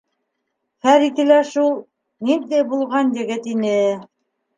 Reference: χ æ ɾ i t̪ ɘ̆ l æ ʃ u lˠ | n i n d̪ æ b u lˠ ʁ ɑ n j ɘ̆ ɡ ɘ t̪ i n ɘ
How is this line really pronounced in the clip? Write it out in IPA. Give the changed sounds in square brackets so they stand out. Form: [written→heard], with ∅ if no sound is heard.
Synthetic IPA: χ æ ɾ i t̪ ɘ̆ l æ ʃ u lˠ | n i n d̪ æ b u lˠ ʁ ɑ n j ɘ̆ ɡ ɘ t̪ i n ɘ

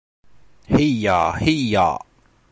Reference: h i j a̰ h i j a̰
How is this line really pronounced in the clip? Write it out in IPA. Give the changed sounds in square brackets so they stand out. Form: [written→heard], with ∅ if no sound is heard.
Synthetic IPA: h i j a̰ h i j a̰

